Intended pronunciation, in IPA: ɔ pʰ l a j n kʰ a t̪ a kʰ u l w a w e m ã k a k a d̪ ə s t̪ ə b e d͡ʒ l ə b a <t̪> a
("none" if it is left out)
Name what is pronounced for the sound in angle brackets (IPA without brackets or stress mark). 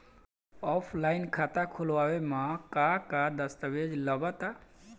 t̪